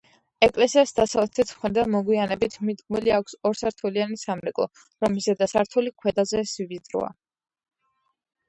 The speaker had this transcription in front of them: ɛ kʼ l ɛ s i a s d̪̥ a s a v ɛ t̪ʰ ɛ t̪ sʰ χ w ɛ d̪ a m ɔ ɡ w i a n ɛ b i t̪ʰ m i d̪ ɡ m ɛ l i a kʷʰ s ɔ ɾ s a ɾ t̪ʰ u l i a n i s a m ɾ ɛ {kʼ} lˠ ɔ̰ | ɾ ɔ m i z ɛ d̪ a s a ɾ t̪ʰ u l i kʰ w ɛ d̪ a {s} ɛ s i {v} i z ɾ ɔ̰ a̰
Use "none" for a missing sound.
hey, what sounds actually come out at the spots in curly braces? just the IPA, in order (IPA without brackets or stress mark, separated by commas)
kʼ, z, v